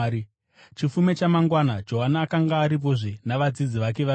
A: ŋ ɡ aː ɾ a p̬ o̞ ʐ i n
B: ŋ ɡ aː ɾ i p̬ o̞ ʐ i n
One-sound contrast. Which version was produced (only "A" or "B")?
B